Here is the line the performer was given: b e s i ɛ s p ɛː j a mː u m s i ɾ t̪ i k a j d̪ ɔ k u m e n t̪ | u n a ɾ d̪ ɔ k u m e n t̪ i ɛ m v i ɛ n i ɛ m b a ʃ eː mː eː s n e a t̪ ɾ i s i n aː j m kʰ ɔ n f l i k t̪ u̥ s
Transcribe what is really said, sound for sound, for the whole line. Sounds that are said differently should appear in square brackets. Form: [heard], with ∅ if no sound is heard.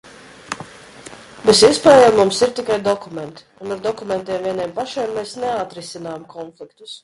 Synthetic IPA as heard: b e s i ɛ s p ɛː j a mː u m s i ɾ t̪ i k a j d̪ ɔ k u m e n t̪ | u n a ɾ d̪ ɔ k u m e n t̪ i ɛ m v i ɛ n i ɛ m [p] a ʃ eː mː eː s n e a t̪ ɾ i s i n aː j m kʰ ɔ n f l i k t̪ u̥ s